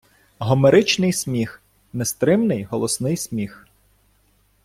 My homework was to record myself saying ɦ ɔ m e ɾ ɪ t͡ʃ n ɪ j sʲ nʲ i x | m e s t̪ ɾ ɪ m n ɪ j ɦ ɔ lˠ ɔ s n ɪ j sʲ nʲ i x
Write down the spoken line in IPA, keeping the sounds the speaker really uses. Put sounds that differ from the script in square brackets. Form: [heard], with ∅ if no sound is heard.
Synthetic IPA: ɦ ɔ m e ɾ ɪ t͡ʃ n ɪ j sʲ [mʲ] i x | [n] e s t̪ ɾ ɪ m n ɪ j ɦ ɔ lˠ ɔ s n ɪ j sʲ [mʲ] i x